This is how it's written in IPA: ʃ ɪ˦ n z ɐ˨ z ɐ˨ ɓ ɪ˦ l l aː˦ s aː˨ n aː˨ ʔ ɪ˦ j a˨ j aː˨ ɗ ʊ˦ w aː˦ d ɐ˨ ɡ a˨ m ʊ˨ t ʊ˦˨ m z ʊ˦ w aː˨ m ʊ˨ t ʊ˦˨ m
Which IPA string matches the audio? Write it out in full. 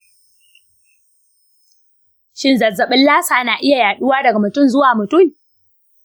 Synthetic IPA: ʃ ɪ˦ n z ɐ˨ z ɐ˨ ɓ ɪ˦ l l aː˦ s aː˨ n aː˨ ʔ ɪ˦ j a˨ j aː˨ ɗ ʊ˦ w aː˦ d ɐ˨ ɡ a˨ m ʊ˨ t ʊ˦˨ m z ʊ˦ w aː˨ m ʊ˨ t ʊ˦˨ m